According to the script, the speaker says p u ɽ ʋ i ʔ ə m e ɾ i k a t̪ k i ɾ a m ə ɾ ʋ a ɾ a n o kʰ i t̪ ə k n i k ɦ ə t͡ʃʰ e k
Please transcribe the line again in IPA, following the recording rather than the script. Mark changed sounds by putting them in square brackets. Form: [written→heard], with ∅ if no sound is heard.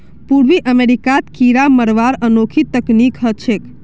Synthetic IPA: p u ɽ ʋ i ʔ ə m e ɾ i k a t̪ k i ɾ a m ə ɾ ʋ a ɾ [a→ə] n o kʰ i t̪ ə k n i k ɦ ə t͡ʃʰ e k